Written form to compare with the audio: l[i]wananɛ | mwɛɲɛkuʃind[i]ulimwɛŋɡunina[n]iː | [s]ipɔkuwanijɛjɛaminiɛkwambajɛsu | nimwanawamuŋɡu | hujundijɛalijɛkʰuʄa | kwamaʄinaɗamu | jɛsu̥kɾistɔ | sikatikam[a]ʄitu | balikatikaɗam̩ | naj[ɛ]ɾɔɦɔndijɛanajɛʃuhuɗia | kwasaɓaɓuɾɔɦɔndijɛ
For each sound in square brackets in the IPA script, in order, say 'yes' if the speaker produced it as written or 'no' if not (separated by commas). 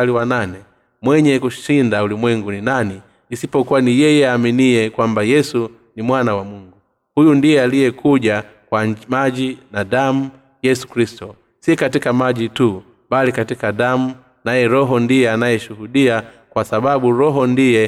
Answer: yes, no, yes, yes, yes, yes